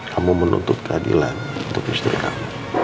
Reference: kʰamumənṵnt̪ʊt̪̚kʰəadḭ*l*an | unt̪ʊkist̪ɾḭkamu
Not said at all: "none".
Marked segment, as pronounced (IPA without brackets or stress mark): l